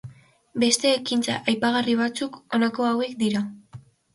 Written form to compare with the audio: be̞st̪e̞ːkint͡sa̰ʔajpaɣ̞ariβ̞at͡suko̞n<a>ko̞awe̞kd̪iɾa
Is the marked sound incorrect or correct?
correct